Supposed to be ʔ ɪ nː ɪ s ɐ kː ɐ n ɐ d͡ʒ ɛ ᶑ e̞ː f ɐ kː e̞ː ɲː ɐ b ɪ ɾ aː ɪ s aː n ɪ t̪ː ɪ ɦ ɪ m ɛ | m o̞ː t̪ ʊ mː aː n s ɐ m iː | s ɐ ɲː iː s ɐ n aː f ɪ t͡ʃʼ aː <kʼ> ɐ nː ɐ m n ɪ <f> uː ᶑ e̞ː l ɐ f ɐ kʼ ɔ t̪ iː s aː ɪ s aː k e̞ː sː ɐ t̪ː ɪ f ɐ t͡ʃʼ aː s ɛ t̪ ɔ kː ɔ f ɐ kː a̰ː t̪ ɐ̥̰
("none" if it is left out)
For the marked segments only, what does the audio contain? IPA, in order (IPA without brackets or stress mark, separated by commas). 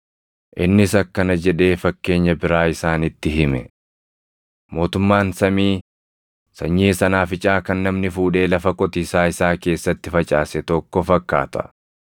k, f